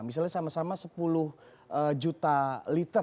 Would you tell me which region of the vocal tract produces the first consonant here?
lips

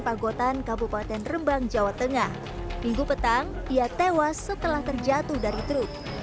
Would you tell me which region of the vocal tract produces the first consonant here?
lips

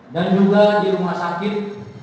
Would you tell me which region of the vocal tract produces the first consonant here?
tongue tip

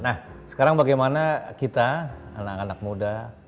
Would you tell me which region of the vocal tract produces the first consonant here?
tongue tip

